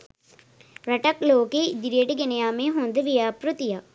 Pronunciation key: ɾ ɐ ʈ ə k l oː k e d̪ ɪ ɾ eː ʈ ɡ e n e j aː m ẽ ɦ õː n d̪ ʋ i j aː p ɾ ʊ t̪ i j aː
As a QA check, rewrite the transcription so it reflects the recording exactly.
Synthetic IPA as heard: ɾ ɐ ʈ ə k l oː k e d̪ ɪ ɾ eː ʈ ɡ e n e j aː m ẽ ɦ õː n d̪ ʋ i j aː p ɾ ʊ t̪ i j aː